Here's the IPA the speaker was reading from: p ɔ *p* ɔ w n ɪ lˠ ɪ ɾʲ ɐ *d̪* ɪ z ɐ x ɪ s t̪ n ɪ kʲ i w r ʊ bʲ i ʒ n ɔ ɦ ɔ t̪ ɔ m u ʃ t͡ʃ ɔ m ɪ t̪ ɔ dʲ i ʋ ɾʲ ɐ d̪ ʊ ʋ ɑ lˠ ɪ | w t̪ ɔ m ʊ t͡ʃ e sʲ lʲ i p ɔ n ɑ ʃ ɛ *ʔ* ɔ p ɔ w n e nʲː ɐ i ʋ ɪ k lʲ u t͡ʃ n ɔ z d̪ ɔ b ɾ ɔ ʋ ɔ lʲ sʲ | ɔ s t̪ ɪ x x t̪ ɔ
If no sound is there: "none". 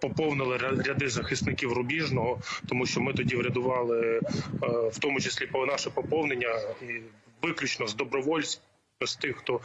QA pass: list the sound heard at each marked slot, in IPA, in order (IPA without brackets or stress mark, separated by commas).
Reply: p, d̪, p